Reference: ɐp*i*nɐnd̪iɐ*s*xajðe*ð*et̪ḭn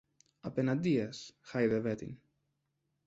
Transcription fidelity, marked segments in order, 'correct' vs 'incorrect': incorrect, correct, incorrect

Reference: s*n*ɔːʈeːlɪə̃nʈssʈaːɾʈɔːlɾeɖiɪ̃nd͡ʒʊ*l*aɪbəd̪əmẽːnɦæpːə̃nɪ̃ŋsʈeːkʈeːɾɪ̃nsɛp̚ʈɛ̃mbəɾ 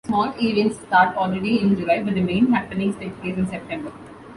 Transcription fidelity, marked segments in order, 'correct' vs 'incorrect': incorrect, correct

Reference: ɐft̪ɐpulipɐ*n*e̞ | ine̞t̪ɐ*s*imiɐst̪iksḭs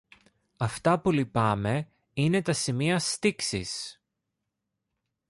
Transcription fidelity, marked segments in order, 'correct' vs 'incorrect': incorrect, correct

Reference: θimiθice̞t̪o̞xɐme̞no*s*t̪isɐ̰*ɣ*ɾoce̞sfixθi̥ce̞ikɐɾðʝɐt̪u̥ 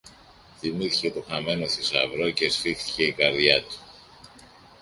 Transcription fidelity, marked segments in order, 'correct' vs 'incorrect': correct, incorrect

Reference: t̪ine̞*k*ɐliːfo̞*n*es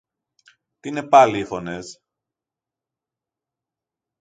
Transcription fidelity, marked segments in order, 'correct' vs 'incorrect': incorrect, correct

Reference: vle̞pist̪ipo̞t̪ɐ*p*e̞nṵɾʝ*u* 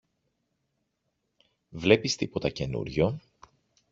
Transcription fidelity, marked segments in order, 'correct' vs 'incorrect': incorrect, incorrect

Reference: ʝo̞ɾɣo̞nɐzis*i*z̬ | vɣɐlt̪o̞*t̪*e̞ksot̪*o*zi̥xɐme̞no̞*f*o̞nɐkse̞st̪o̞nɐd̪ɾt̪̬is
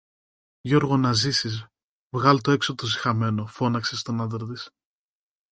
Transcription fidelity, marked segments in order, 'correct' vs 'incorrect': correct, incorrect, correct, correct

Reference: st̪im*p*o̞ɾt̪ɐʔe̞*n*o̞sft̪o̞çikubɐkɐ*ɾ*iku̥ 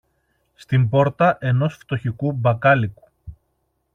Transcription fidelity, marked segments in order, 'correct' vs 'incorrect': incorrect, correct, incorrect

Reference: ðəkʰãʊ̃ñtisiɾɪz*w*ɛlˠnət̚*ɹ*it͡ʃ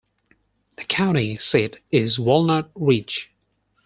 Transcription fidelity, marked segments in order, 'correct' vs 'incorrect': correct, correct

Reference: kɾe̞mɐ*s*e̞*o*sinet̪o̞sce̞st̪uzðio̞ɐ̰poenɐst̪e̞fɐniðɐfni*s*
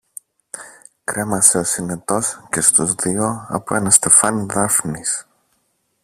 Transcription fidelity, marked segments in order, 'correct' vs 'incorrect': correct, correct, correct

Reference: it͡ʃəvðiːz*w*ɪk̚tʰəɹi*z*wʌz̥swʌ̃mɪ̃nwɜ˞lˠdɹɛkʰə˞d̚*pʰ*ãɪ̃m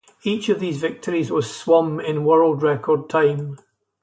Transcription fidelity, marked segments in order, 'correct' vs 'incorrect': incorrect, correct, incorrect

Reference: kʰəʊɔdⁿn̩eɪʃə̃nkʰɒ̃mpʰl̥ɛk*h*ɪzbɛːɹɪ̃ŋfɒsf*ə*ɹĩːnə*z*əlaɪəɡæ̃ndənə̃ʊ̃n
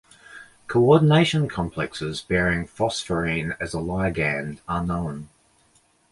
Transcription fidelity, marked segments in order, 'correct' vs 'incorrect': incorrect, correct, correct

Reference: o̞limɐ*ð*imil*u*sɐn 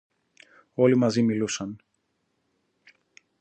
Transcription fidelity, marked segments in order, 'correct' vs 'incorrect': incorrect, correct

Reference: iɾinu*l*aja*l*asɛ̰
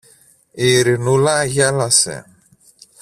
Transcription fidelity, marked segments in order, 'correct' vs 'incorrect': correct, correct

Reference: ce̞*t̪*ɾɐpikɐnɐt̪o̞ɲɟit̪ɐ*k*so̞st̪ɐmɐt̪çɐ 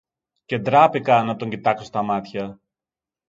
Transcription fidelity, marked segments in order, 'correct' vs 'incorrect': incorrect, correct

